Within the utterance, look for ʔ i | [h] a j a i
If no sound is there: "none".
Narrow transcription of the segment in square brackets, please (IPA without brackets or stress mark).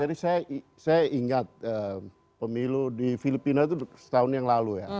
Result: s